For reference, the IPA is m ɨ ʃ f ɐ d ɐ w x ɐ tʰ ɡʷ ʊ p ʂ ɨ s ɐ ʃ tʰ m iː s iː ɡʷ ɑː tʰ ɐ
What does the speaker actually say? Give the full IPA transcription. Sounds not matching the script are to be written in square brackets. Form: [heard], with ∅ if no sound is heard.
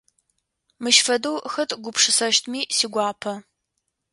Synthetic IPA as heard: m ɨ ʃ f ɐ d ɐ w x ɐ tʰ ɡʷ ʊ p ʂ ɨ s ɐ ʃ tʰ m iː s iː ɡʷ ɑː [pʰ] ɐ